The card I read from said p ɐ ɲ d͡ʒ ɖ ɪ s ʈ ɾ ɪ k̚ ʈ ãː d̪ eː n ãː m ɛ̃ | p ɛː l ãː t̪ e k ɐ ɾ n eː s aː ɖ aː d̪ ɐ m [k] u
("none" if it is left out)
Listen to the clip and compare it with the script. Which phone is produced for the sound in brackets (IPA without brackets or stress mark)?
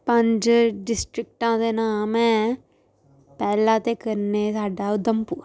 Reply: p